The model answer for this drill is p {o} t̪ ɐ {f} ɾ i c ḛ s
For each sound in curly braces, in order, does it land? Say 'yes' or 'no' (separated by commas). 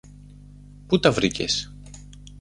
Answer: no, no